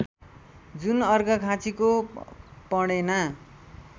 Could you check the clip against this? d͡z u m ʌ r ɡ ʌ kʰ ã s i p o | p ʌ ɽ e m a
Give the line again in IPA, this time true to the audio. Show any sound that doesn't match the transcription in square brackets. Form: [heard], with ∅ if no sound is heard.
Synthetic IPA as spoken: d͡z u [n] ʌ r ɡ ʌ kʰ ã [t͡s] i [k] o | p ʌ ɽ e [n] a